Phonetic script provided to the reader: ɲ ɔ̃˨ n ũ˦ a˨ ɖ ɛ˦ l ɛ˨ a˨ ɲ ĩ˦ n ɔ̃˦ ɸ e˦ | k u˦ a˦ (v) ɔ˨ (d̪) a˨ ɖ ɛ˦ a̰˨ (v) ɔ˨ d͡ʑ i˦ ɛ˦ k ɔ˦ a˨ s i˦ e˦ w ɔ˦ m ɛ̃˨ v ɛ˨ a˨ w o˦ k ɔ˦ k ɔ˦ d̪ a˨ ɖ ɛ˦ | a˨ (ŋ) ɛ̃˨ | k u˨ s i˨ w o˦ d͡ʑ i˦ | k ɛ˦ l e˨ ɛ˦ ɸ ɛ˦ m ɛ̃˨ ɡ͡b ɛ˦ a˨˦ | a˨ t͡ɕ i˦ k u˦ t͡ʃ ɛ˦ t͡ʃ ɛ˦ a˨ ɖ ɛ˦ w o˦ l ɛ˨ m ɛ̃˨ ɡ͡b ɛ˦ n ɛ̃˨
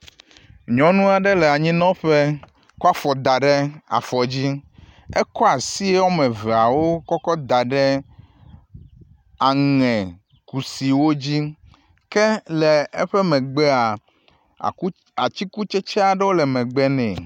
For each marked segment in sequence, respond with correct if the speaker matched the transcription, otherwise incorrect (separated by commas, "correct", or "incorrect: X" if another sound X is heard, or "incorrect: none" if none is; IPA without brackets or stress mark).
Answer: incorrect: f, correct, incorrect: f, correct